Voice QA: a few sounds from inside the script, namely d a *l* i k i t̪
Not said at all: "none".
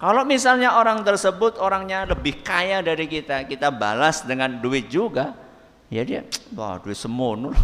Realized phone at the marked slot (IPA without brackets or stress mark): ɾ